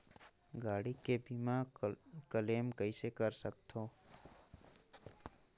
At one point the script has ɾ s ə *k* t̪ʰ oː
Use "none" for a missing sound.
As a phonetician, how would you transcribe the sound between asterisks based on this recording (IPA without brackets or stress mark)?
k